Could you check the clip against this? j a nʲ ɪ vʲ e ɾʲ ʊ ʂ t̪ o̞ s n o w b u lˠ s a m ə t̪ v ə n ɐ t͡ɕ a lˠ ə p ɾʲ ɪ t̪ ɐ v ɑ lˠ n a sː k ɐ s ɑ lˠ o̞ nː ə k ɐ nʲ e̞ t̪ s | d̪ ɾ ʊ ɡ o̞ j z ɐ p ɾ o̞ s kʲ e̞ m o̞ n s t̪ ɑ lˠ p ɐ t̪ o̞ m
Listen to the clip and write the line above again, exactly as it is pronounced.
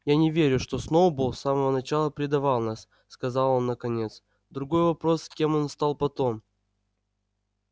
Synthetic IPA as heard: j a nʲ ɪ vʲ e ɾʲ ʊ ʂ t̪ o̞ s n o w b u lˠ s a m ə v ə n ɐ t͡ɕ a lˠ ə p ɾʲ ɪ d̪ ɐ v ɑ lˠ n a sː k ɐ z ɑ lˠ o̞ nː ə k ɐ nʲ e̞ t̪ s | d̪ ɾ ʊ ɡ o̞ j v ɐ p ɾ o̞ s kʲ e̞ m o̞ n s t̪ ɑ lˠ p ɐ t̪ o̞ m